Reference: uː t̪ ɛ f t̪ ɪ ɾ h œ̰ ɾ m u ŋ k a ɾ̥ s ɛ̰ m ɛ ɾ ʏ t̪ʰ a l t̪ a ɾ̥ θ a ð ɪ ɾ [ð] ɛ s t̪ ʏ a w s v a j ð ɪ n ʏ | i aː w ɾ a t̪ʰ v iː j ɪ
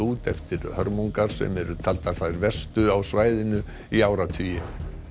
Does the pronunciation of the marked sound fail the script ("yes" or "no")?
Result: yes